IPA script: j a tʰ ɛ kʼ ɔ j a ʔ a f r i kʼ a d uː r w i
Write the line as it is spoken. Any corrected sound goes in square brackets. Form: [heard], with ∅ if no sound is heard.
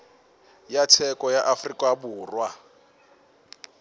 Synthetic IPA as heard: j a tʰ ɛ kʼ ɔ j a ʔ a f r i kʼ a [b] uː r w [a]